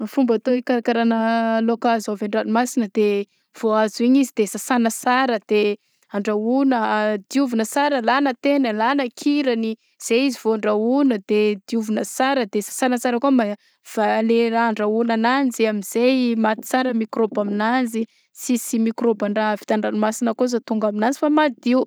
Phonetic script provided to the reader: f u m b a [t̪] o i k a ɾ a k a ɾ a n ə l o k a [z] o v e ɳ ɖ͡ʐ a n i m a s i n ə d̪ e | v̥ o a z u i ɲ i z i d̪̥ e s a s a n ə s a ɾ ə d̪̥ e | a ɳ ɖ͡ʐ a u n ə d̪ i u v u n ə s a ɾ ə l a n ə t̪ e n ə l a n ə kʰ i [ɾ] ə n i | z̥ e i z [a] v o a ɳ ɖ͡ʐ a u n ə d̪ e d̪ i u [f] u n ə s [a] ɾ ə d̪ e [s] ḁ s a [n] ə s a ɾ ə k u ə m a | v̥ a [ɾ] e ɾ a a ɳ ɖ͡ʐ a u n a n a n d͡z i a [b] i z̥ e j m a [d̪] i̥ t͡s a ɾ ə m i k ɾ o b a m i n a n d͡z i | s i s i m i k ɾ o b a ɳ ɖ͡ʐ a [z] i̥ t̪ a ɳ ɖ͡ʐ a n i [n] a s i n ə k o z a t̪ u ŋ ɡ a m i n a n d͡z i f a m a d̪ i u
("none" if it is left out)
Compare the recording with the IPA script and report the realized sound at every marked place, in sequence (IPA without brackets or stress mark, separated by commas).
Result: t̪, z, ɾ, i, v, a, s, n, l, m, t̪, v, m